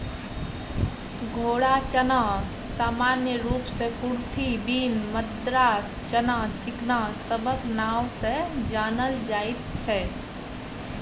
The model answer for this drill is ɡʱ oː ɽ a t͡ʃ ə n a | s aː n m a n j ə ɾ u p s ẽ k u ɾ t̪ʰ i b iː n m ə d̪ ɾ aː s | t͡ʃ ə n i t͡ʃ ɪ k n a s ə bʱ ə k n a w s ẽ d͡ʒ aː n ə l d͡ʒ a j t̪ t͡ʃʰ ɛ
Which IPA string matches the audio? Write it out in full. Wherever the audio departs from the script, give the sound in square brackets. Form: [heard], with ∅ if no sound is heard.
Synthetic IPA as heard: ɡʱ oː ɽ a t͡ʃ ə n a | s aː [∅] m a n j ə ɾ u p s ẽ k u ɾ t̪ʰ i b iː n m ə d̪ ɾ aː s | t͡ʃ ə n [a] t͡ʃ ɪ k n a s ə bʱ ə k n a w s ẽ d͡ʒ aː n ə l d͡ʒ a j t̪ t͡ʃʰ ɛ